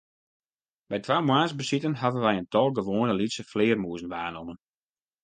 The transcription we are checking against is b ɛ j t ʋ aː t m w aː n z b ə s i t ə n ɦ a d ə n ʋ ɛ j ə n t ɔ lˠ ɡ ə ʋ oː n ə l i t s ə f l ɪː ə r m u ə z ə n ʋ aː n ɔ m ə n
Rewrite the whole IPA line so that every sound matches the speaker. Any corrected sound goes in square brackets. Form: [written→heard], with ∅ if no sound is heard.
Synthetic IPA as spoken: b ɛ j t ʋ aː [t→∅] m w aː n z b ə s i t ə n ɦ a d ə n ʋ ɛ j ə n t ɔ lˠ ɡ ə ʋ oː n ə l i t s ə f l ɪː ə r m u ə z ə n ʋ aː n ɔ m ə n